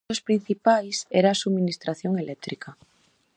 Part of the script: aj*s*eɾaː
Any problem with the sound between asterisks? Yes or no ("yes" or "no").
no